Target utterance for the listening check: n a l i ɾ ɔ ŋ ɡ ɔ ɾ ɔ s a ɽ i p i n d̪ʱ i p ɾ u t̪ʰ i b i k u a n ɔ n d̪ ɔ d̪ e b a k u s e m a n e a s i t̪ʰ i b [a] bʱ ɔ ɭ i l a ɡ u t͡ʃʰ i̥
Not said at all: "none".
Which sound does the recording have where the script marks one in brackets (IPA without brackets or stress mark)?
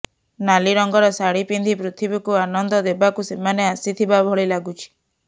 a